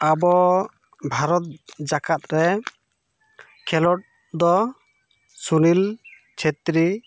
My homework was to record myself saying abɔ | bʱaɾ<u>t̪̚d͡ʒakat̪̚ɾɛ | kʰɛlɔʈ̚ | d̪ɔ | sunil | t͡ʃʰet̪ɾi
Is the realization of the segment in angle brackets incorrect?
yes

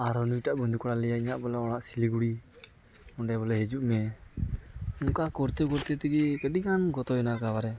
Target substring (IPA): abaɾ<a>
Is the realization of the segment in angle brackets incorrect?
yes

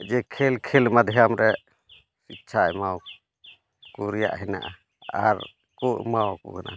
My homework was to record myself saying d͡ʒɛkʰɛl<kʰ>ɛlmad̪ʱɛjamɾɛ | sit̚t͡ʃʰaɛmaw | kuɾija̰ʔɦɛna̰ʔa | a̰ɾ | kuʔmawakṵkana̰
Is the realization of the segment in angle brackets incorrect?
no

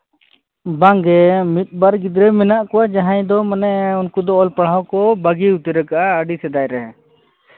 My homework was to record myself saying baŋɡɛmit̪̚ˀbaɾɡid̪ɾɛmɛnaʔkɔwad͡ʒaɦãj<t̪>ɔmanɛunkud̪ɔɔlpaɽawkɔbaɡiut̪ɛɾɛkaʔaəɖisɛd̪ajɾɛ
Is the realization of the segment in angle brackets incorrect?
yes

